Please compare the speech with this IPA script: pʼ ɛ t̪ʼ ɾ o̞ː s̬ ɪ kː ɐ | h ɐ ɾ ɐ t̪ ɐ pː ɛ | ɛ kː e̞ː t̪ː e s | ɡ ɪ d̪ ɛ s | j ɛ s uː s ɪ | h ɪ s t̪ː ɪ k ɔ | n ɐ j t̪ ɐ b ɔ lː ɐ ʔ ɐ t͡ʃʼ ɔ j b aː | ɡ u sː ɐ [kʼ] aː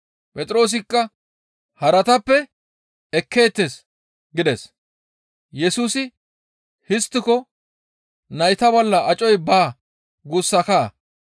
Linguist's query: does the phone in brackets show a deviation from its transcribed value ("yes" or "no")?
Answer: yes